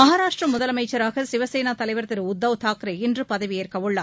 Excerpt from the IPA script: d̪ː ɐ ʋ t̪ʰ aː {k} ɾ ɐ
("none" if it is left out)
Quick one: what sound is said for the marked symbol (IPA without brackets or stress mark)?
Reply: k